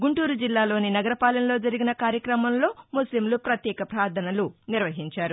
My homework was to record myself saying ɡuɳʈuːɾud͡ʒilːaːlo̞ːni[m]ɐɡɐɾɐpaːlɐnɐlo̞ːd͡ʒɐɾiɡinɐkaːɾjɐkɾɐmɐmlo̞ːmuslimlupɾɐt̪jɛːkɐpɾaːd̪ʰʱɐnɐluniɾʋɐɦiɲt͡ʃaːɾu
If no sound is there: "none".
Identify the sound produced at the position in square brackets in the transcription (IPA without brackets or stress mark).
n